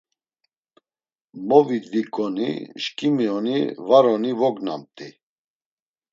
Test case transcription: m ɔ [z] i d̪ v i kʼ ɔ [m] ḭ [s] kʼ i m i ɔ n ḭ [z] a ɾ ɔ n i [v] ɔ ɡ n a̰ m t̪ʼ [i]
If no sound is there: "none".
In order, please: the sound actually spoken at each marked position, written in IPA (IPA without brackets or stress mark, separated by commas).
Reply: v, n, ʃ, v, v, i